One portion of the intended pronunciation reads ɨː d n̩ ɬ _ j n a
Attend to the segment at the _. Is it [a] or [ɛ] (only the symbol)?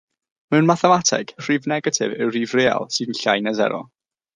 a